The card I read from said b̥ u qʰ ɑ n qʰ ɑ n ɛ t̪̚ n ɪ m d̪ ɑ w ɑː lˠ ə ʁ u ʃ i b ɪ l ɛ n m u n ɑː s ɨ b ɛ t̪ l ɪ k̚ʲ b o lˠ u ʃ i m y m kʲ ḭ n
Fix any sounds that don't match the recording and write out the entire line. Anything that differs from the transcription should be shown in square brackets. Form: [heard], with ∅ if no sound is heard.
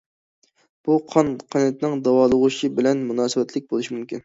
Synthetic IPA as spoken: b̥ u qʰ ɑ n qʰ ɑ n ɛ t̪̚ n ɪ [ŋ] d̪ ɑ w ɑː lˠ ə ʁ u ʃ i b ɪ l ɛ n m u n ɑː s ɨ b ɛ t̪ l ɪ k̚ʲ b o lˠ u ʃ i m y m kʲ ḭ n